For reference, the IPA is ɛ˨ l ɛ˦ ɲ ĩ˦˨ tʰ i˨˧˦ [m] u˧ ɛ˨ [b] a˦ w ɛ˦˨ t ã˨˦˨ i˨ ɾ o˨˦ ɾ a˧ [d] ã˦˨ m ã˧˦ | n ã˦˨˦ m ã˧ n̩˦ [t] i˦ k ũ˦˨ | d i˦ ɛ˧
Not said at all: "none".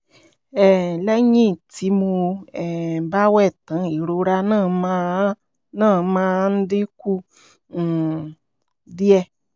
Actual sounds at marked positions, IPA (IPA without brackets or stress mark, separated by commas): m, b, n, d